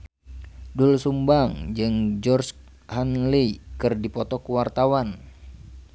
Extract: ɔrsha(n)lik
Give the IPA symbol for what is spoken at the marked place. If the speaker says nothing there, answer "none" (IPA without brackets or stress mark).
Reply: n